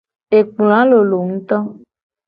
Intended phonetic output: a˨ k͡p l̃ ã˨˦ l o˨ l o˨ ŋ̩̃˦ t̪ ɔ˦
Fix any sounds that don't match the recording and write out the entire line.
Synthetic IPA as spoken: e˨ k͡p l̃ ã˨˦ l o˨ l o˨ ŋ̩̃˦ t̪ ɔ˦